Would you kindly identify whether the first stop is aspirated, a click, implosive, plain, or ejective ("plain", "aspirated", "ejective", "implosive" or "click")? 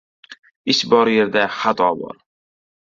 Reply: plain